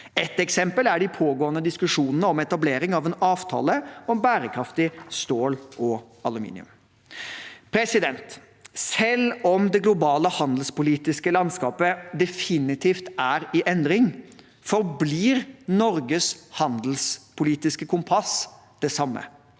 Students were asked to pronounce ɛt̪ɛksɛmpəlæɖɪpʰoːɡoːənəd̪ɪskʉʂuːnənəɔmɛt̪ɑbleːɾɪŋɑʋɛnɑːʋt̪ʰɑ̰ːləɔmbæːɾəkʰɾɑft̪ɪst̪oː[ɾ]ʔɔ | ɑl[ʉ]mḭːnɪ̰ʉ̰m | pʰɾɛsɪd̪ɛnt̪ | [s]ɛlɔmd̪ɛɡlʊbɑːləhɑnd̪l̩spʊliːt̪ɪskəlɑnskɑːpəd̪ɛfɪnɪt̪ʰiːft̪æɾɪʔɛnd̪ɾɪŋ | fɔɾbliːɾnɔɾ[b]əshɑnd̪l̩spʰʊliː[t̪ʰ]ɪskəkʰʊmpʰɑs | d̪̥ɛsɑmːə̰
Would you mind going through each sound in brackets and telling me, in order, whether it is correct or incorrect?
incorrect, correct, correct, incorrect, incorrect

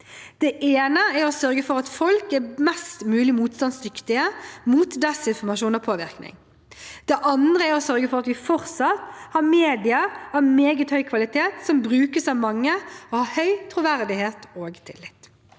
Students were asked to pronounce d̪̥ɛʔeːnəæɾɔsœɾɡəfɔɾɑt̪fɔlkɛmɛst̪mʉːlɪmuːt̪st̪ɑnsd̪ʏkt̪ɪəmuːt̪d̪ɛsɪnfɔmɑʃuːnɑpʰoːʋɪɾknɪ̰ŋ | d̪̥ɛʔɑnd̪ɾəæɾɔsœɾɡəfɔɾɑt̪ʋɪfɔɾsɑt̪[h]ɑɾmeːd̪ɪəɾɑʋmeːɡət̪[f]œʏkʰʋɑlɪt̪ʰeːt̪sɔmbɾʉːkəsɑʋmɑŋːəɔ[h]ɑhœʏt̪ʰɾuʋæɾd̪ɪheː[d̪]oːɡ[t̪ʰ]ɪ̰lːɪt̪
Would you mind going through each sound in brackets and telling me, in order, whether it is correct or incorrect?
correct, incorrect, correct, incorrect, correct

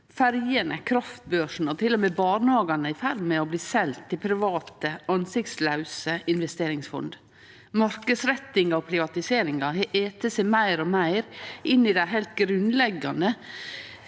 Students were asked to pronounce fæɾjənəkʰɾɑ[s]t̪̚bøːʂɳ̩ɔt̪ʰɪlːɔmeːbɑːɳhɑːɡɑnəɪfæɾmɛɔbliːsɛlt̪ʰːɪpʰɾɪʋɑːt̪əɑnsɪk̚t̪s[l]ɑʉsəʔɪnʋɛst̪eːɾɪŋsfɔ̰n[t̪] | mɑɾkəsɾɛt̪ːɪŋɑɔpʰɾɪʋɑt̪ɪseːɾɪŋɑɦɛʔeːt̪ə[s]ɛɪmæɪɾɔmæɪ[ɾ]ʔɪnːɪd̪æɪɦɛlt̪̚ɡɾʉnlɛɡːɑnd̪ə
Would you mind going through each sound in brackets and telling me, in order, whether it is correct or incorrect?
incorrect, correct, incorrect, correct, correct

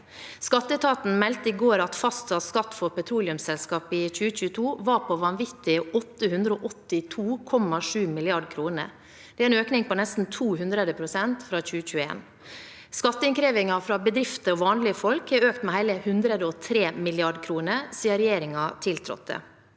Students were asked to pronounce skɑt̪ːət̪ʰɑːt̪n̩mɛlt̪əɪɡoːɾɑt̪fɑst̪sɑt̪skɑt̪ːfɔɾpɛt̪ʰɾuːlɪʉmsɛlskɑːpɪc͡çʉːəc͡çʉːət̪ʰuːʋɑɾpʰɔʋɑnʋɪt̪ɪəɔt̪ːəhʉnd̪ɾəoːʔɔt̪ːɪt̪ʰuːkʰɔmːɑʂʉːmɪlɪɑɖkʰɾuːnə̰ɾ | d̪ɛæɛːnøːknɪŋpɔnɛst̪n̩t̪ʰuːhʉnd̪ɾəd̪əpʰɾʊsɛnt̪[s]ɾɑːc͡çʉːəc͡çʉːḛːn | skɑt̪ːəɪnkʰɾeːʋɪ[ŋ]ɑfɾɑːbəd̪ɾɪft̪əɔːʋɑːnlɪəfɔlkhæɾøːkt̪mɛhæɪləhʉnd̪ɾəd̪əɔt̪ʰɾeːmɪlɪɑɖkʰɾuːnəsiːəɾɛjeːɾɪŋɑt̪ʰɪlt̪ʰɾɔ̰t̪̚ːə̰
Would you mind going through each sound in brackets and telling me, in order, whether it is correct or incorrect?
incorrect, correct

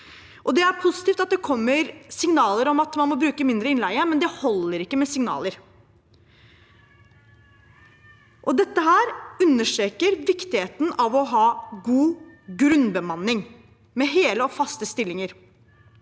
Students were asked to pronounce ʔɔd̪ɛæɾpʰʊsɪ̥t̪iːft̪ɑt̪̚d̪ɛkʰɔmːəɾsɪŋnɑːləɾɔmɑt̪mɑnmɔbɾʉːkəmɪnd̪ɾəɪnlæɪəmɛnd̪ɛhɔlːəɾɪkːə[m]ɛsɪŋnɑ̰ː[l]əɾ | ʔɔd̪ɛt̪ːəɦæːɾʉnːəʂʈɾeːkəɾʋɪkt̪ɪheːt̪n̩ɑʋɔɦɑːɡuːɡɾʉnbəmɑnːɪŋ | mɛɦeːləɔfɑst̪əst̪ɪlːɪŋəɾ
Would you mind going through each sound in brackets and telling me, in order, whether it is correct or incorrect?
correct, correct

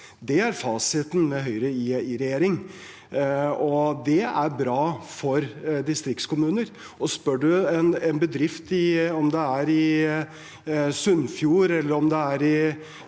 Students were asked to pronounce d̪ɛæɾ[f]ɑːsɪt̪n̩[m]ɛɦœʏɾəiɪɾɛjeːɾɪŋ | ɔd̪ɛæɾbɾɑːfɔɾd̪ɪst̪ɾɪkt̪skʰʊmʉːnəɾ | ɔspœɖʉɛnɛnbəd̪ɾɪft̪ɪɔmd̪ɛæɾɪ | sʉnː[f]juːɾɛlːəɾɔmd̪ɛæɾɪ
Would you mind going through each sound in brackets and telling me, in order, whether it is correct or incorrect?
correct, correct, correct

